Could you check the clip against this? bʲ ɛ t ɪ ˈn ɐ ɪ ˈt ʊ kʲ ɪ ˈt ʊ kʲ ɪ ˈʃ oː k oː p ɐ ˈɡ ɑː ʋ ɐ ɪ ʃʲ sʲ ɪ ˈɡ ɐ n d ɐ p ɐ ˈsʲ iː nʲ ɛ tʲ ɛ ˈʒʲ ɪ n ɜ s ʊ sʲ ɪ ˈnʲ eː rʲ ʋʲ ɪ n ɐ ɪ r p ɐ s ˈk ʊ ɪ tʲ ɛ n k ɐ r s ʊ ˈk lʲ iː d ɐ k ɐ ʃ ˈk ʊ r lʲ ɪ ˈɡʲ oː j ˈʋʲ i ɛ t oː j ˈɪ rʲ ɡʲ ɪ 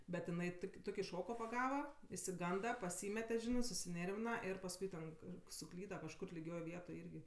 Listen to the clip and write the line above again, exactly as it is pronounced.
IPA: bʲ ɛ t ɪ ˈn ɐ ɪ ˈt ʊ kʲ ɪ ˈt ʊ kʲ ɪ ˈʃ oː k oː p ɐ ˈɡ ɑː ʋ ɐ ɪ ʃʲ sʲ ɪ ˈɡ ɐ n d ɐ p ɐ ˈsʲ iː mʲ ɛ tʲ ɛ ˈʒʲ ɪ n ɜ s ʊ sʲ ɪ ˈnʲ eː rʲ ʋʲ ɪ n ɐ ɪ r p ɐ s ˈk ʊ ɪ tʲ ɛ n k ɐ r s ʊ ˈk lʲ iː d ɐ k ɐ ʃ ˈk ʊ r lʲ ɪ ˈɡʲ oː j ˈʋʲ i ɛ t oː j ˈɪ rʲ ɡʲ ɪ